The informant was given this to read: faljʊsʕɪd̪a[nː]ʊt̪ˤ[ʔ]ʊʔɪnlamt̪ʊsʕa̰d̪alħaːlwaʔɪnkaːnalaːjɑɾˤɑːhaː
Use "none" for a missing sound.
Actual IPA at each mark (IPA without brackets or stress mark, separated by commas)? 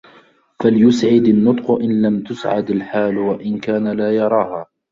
nː, q